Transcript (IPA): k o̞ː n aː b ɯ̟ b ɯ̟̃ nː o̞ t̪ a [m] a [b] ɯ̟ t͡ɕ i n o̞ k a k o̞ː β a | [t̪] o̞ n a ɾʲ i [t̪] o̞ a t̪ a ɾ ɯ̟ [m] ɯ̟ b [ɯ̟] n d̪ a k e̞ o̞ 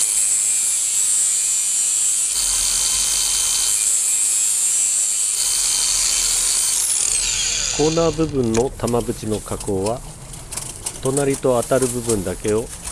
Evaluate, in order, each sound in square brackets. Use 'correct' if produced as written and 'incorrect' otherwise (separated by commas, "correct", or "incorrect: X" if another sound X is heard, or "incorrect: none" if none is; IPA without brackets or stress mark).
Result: correct, correct, correct, correct, incorrect: b, incorrect: ɯ̟̃